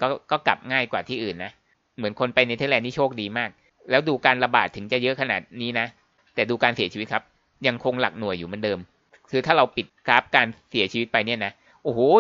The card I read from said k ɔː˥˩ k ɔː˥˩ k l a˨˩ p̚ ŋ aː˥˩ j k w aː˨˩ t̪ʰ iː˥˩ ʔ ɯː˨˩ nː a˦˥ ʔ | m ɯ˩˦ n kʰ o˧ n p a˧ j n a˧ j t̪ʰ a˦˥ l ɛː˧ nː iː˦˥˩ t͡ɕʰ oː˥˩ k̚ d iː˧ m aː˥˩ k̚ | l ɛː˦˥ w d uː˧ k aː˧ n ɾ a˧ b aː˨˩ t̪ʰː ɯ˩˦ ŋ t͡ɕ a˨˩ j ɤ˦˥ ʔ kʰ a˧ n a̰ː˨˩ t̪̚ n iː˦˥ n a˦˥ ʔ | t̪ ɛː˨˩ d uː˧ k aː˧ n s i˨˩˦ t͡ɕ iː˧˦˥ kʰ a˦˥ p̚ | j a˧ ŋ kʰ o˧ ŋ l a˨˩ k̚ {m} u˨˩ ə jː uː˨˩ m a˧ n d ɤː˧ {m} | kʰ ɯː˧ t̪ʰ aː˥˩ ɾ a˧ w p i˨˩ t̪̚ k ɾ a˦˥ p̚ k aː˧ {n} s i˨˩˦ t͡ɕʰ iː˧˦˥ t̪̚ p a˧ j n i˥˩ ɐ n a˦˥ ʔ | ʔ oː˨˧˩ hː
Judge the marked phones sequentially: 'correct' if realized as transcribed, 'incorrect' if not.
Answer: incorrect: n, correct, correct

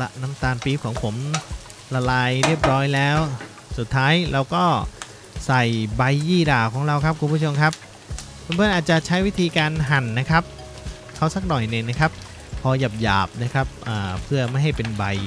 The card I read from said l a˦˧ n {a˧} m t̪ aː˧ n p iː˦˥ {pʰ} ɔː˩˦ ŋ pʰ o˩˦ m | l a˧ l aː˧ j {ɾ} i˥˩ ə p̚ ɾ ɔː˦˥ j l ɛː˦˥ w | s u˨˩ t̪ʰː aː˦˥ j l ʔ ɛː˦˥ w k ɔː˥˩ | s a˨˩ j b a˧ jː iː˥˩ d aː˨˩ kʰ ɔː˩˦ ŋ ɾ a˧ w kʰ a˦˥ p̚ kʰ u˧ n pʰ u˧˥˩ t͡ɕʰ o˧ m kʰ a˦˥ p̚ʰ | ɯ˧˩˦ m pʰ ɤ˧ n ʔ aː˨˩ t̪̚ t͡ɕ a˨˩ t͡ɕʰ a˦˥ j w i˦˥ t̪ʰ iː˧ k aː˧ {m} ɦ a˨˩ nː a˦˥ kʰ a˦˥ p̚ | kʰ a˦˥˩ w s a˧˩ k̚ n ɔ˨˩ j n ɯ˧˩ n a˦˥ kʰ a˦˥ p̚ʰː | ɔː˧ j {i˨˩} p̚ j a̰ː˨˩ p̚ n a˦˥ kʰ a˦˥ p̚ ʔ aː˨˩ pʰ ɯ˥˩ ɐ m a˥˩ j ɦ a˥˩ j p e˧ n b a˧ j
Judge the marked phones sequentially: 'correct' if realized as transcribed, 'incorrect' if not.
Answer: incorrect: a˦˥, incorrect: kʰ, correct, incorrect: n, incorrect: a˨˩

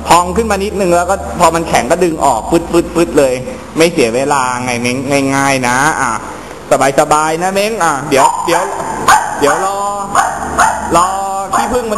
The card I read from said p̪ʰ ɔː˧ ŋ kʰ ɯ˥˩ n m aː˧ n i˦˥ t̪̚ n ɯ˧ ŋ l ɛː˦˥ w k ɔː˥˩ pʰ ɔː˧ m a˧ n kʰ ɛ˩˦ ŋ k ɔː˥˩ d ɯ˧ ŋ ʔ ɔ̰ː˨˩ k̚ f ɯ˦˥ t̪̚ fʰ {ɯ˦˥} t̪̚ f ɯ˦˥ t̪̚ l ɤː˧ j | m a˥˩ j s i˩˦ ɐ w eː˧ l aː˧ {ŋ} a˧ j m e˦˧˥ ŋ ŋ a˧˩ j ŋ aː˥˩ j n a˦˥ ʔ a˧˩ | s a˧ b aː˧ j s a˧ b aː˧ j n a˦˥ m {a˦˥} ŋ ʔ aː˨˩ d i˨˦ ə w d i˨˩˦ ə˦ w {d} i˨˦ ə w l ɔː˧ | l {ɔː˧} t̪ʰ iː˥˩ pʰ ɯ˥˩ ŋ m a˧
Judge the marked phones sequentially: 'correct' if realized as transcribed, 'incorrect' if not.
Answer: correct, correct, incorrect: e˦˥, correct, correct

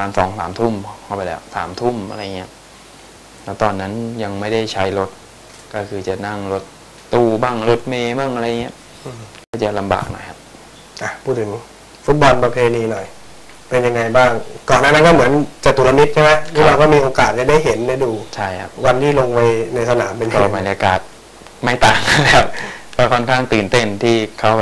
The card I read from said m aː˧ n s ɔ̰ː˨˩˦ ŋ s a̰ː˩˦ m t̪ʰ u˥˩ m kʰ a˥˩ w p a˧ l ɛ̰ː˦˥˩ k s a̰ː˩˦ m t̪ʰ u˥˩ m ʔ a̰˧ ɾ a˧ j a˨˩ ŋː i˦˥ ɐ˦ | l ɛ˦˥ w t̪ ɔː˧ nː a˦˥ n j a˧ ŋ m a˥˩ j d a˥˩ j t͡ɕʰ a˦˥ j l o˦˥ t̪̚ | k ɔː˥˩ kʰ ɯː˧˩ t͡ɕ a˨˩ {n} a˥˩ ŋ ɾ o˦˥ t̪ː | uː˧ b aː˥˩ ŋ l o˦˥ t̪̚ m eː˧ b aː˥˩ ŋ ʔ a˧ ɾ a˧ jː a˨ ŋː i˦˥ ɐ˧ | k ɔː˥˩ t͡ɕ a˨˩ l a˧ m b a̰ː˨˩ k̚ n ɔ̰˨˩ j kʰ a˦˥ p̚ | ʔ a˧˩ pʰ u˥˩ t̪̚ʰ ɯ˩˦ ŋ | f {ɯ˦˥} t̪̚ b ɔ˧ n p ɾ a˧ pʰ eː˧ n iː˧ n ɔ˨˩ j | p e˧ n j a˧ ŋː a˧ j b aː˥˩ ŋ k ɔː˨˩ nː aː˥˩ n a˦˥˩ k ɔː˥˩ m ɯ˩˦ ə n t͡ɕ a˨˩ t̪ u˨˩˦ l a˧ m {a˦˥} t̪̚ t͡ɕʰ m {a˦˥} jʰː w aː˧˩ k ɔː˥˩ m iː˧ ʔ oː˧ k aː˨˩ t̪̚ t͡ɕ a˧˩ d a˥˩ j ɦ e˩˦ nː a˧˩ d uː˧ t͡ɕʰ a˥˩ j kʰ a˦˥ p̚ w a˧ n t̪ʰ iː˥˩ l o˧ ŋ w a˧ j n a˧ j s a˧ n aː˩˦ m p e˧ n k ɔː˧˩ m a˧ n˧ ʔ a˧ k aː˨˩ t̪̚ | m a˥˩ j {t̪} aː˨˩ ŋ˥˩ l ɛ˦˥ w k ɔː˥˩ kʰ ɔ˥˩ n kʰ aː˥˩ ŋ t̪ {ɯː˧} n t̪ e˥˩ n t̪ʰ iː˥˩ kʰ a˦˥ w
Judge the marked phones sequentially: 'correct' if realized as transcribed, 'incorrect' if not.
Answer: correct, incorrect: u˦˥, incorrect: i˦˥, correct, correct, incorrect: ɯː˨˩

